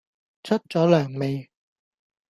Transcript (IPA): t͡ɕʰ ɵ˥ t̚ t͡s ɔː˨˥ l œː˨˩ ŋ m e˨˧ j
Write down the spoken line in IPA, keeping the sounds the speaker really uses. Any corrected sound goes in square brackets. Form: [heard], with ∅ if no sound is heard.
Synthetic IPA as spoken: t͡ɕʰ ɵ˥ t̚ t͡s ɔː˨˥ l œː˨˩ ŋ m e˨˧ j